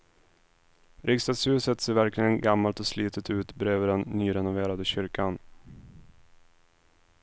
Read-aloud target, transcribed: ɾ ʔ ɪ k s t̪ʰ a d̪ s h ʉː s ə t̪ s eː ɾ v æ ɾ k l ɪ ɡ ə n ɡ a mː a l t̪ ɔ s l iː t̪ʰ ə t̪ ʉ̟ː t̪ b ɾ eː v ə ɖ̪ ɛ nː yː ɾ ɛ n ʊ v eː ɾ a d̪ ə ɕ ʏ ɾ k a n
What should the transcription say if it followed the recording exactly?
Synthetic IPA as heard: ɾ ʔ ɪ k s t̪ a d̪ s h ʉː s ə t̪ s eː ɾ v æ ɾ k l ɪ ɡ ə n ɡ a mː a l t̪ ɔ s l iː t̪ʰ ə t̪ ʉ̟ː t̪ b ɾ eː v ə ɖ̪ ɛ nː yː ɾ ɛ n ʊ v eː ɾ a d̪ ə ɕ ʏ ɾ k a n

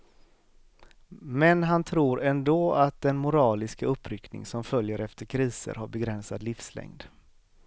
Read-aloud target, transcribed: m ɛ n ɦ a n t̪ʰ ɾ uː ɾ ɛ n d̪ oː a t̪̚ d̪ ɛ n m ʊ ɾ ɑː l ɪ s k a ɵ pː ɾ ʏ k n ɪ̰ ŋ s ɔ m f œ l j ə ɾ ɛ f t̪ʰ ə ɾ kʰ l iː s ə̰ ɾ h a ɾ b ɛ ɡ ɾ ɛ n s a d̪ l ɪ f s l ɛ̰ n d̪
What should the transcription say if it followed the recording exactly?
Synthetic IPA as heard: m ɛ n ɦ a n t̪ʰ ɾ uː ɾ ɛ n d̪ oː a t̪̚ d̪ ɛ n m ʊ ɾ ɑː l ɪ s k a ɵ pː ɾ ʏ k n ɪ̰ ŋ s ɔ m f œ l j ə ɾ ɛ f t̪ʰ ə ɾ kʰ ɾ iː s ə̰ ɾ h a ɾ b ɛ ɡ ɾ ɛ n s a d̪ l ɪ f s l ɛ̰ ŋ d̪

